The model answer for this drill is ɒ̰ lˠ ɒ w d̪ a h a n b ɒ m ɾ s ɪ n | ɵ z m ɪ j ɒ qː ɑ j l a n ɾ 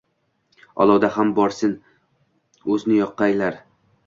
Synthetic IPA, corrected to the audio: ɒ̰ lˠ ɒ w d̪ a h a m b ɒ ɾ s ɪ n | ɵ z n ɪ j ɒ qː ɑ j l a ɾ